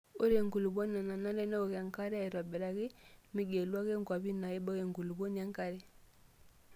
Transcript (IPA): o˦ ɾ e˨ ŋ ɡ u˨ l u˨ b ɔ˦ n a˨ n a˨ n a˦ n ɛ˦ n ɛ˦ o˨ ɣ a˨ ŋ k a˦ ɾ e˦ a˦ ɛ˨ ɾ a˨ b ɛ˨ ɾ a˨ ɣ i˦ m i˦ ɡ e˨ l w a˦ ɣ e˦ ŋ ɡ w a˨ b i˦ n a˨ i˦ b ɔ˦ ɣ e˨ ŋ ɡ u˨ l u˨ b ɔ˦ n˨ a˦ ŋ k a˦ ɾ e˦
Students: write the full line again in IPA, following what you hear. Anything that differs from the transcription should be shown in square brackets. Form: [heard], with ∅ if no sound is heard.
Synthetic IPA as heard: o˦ ɾ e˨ ŋ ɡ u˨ l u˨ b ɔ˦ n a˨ n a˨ n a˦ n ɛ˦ n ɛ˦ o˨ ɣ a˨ ŋ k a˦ ɾ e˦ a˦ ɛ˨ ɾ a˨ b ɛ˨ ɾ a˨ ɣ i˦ m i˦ ɡ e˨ l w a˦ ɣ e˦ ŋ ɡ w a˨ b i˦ n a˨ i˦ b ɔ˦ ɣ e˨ ŋ ɡ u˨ l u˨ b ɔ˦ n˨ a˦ ŋ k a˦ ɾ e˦